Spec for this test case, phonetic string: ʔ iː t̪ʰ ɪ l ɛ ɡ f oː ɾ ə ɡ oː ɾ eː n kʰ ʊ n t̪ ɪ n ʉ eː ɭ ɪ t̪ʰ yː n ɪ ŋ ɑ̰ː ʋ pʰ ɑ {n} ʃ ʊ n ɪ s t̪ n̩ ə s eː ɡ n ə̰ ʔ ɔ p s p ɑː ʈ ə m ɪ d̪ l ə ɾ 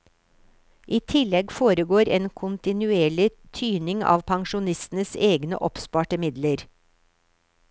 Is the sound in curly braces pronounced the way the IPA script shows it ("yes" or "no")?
no